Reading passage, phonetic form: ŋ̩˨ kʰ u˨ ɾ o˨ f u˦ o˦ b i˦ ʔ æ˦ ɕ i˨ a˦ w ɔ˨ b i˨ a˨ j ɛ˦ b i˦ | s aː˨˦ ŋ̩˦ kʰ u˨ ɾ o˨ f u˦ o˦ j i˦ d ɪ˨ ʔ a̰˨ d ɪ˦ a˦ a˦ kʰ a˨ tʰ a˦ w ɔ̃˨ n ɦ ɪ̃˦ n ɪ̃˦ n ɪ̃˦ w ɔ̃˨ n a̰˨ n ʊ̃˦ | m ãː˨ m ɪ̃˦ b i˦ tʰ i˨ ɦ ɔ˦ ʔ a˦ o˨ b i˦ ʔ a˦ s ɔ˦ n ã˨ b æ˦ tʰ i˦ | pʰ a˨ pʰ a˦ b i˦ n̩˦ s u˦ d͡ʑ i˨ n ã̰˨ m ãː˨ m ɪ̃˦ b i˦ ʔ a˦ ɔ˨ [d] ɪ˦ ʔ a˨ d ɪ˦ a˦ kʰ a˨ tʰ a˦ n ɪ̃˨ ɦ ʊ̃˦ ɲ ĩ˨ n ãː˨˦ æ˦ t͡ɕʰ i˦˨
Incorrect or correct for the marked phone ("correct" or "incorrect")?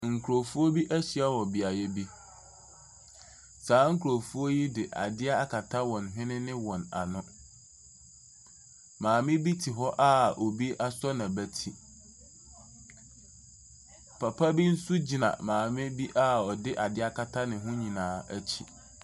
correct